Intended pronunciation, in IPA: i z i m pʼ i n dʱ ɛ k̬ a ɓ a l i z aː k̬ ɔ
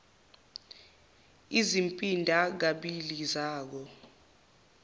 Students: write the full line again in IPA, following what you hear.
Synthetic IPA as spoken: i z i m pʼ i n dʱ a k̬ a ɓ i l i z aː k̬ ɔ